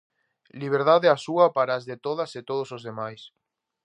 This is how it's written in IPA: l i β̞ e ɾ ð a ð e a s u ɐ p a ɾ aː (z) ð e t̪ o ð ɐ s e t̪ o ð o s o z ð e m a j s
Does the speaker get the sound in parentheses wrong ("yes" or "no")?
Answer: no